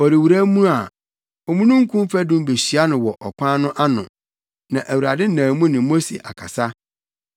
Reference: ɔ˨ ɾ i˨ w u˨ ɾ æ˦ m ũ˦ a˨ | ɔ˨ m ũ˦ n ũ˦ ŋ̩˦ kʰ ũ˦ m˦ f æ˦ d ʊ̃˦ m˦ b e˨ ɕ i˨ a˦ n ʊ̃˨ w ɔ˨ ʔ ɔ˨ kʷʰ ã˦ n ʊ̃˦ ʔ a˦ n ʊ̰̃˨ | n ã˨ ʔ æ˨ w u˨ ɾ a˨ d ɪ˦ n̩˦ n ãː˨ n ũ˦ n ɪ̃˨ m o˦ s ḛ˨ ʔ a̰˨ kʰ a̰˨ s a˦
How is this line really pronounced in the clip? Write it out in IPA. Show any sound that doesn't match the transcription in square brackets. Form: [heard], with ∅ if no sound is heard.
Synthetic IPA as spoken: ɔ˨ ɾ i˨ w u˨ ɾ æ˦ m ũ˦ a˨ | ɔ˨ m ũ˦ n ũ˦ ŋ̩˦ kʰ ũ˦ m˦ f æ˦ d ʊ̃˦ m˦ b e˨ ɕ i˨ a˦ n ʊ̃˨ w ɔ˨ ʔ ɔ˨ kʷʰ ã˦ n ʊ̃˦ ʔ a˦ n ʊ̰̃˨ | n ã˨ ʔ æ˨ w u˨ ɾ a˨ d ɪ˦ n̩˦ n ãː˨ [m] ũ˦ n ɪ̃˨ m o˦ s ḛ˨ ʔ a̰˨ kʰ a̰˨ s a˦